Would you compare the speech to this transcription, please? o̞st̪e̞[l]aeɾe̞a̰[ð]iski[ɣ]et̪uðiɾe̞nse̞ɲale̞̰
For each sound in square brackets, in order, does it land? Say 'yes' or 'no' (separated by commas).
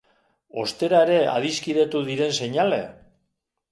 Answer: no, yes, no